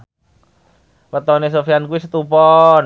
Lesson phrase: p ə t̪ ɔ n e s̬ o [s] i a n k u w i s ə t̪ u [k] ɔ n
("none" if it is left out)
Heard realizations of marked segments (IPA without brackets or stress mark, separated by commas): f, p